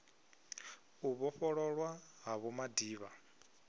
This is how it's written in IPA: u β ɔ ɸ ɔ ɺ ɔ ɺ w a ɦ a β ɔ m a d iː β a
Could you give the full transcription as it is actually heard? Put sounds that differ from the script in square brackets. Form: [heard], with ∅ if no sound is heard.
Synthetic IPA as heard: u β ɔ ɸ ɔ ɺ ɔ ɺ w a ɦ a β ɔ m a d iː β a